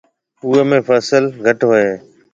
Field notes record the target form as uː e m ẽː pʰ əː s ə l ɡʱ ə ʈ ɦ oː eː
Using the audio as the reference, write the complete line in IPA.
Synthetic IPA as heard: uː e m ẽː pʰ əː s ə l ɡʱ ə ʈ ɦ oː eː